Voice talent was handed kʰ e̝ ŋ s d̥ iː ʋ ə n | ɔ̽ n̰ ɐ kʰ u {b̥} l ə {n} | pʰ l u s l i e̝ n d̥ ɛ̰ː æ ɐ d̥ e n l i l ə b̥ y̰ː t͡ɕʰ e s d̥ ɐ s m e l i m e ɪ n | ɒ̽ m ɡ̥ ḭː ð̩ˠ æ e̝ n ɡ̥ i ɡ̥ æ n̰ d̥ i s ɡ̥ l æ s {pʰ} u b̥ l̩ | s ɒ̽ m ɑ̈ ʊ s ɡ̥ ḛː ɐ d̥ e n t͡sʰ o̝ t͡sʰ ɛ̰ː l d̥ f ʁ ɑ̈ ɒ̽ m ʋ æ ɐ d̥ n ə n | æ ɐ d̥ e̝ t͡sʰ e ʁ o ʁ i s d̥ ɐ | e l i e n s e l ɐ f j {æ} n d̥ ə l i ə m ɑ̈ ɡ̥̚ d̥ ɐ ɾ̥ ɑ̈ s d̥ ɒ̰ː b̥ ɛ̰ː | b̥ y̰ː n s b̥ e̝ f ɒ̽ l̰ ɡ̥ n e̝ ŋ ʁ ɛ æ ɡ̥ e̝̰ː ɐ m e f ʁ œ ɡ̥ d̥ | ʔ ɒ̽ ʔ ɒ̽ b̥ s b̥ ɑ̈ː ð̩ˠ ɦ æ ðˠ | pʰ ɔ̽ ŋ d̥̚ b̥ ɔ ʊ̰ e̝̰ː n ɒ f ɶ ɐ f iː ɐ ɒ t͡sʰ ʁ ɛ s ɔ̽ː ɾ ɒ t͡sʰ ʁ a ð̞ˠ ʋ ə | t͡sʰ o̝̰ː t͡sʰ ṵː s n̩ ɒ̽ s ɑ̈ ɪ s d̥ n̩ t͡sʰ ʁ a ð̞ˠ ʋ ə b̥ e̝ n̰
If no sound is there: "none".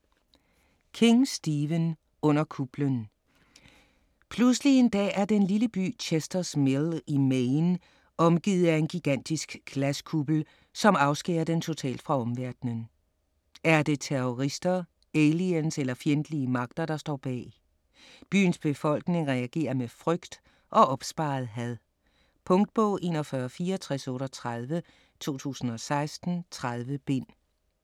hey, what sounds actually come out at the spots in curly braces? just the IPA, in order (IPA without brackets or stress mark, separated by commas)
b̥, n, kʰ, e